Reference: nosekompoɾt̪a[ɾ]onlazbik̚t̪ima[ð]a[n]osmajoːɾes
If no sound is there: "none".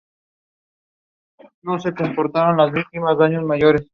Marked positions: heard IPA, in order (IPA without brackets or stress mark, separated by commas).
ɾ, z, ɲ